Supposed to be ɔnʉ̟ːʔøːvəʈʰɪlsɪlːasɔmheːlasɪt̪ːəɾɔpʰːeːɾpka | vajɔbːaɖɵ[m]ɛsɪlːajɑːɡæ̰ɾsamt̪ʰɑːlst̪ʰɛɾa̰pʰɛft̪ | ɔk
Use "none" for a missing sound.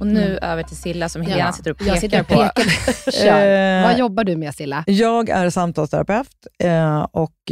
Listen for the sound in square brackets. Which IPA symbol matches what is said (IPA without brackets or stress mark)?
m